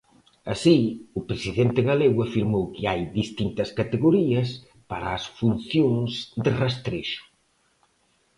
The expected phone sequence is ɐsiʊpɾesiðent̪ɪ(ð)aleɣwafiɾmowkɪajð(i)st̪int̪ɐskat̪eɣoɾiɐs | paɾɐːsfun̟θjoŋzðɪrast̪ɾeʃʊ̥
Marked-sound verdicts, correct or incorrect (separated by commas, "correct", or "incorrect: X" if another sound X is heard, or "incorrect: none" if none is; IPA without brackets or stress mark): incorrect: ɣ, correct